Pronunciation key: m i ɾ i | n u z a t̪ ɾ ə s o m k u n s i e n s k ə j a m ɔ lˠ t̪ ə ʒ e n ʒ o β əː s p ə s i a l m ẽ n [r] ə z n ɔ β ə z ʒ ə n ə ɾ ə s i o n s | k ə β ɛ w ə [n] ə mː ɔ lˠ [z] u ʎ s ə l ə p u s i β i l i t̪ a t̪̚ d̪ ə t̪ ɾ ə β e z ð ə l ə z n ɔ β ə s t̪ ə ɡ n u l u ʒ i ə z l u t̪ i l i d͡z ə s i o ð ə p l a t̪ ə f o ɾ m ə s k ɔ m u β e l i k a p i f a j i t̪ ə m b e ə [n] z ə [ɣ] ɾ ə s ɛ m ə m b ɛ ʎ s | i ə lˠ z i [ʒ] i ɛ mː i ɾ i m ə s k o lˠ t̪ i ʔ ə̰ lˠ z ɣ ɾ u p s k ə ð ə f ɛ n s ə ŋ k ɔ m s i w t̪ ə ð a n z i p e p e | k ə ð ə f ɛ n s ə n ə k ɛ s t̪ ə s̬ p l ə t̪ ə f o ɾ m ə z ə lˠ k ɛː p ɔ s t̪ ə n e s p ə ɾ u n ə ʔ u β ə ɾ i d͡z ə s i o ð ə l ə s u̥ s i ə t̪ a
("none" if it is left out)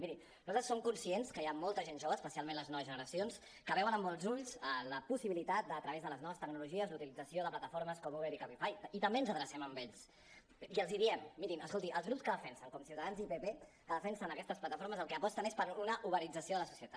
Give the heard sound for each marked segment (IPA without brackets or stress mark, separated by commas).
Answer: l, n, z, n, ð, ð